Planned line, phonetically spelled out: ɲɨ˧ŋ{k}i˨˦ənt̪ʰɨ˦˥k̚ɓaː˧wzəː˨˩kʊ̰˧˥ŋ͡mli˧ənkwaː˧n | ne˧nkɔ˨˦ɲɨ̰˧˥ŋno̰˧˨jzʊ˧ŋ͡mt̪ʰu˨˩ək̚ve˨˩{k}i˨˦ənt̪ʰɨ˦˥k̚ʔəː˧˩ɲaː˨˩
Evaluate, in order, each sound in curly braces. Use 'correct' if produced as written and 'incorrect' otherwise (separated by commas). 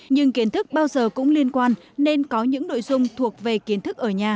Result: correct, correct